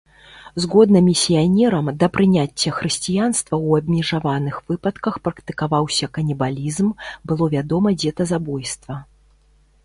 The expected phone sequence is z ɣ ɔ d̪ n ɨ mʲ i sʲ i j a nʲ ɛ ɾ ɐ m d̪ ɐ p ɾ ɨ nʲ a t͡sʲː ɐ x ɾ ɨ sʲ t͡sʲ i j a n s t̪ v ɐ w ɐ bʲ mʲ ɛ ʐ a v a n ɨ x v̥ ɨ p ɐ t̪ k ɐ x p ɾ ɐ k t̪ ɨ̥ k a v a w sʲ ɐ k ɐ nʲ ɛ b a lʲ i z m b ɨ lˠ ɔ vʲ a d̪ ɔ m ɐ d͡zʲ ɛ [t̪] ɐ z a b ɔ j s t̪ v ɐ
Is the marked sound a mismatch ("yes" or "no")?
no